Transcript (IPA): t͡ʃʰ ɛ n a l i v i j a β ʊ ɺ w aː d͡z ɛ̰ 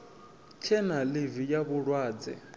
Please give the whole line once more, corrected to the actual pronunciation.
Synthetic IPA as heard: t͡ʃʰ ɛ n a l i v i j a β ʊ ɺ w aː d͡z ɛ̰